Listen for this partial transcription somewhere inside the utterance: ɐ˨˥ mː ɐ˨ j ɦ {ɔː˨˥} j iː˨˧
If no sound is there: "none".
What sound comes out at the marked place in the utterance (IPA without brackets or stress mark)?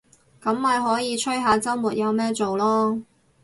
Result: ɔː˨˥